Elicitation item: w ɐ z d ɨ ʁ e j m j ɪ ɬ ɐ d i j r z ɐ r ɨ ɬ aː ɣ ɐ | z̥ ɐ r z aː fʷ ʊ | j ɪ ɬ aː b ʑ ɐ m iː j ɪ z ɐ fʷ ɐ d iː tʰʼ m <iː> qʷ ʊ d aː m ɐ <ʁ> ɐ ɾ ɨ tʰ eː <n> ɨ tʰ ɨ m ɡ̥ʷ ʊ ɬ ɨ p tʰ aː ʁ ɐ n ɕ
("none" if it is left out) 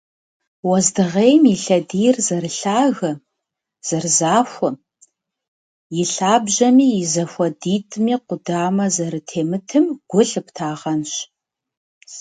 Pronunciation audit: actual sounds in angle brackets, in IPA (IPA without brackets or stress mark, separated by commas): iː, z, m